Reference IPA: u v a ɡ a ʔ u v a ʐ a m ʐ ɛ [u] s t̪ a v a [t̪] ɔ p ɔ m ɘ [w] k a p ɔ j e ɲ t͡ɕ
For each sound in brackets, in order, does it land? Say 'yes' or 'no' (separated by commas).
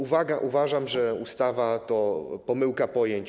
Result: yes, yes, yes